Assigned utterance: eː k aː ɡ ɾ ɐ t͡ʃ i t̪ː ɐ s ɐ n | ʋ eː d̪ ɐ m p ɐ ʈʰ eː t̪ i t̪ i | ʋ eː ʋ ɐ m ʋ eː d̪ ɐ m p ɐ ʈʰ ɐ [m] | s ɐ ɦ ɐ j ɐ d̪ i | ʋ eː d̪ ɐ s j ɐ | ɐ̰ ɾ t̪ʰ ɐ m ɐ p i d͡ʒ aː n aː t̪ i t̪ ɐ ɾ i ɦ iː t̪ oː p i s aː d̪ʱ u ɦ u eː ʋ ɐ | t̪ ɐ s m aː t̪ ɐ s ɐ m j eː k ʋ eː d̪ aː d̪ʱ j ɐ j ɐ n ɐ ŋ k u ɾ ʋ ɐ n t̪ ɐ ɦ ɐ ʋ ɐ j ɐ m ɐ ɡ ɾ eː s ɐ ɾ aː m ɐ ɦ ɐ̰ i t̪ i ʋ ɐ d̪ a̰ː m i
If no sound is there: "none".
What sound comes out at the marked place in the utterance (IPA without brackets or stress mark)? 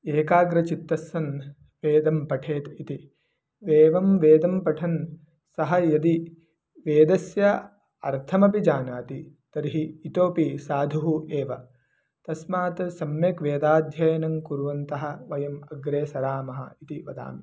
n